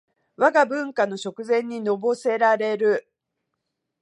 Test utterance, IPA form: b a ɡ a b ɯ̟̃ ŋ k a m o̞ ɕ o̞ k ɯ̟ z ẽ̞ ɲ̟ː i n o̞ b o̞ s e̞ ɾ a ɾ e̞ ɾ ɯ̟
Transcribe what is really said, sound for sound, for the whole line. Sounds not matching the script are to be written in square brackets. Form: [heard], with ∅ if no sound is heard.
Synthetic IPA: [β] a ɡ a b ɯ̟̃ ŋ k a [n] o̞ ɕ o̞ k ɯ̟ z ẽ̞ ɲ̟ː i n o̞ b o̞ s e̞ ɾ a ɾ e̞ ɾ ɯ̟

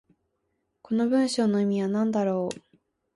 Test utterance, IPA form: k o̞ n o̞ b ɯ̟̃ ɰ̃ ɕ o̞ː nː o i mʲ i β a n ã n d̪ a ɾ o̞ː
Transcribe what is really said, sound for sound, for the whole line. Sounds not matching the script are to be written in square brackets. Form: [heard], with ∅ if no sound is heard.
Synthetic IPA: k o̞ n o̞ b ɯ̟̃ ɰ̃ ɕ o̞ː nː o i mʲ i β a n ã n d̪ a ɾ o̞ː

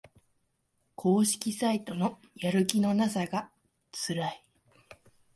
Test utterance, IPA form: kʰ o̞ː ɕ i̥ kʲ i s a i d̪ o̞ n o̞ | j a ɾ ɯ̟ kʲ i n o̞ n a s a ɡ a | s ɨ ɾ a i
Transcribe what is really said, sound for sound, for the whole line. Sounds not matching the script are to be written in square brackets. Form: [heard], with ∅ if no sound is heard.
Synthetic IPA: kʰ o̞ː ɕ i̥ kʲ i s a i [t̪] o̞ n o̞ | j a ɾ ɯ̟ kʲ i n o̞ n a s a ɡ a | [t͡s] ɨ ɾ a i

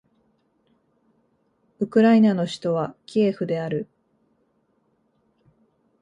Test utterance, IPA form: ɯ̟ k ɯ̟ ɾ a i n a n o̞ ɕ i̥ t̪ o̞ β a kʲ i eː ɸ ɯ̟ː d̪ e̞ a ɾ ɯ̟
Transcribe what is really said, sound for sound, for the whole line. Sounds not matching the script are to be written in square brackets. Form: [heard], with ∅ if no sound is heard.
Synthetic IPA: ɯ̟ k ɯ̟ ɾ a i n a n o̞ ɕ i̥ t̪ o̞ β a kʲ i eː ɸ [ɯ̟] d̪ e̞ a ɾ ɯ̟

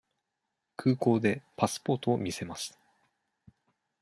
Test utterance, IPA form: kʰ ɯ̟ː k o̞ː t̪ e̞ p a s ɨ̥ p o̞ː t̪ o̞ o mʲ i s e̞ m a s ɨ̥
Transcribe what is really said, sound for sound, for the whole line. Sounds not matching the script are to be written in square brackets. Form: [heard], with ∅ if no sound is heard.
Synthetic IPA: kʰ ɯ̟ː k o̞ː [d̪] e̞ p a s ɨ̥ p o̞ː t̪ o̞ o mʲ i s e̞ m a s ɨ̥

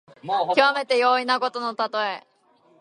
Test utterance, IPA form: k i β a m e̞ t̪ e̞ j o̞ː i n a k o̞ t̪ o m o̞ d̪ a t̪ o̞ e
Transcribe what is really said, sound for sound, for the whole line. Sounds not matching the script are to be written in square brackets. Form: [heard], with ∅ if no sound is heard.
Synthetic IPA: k i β a m e̞ t̪ e̞ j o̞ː i n a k o̞ t̪ o [n] o̞ [t̪] a t̪ o̞ e

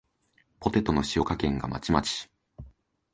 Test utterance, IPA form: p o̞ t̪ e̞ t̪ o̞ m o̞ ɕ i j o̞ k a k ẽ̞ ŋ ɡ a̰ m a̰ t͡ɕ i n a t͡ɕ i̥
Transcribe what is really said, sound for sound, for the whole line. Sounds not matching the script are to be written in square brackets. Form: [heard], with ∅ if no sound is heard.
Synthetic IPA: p o̞ t̪ e̞ t̪ o̞ [n] o̞ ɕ i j o̞ k a k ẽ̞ ŋ ɡ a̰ m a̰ t͡ɕ i [m] a t͡ɕ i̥

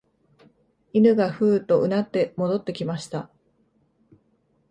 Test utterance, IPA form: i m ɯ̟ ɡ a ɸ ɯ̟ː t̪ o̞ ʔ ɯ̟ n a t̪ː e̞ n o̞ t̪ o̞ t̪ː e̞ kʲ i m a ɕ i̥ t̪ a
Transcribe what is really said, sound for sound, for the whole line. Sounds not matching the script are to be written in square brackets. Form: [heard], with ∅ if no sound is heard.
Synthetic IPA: i [n] ɯ̟ ɡ a ɸ ɯ̟ː t̪ o̞ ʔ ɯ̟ n a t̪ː e̞ [m] o̞ [d̪] o̞ t̪ː e̞ kʲ i m a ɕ i̥ t̪ a

